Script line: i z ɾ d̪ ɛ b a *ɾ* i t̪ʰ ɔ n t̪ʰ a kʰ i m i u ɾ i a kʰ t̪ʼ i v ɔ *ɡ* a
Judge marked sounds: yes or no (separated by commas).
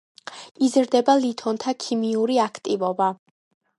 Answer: no, no